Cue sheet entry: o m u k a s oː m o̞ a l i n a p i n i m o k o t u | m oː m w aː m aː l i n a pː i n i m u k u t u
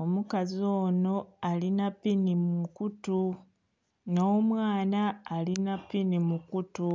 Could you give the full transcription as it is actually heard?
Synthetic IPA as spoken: o m u k a z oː n o̞ a l i n a p i n i m u k u t u | n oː m w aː n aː l i n a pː i n i m u k u t u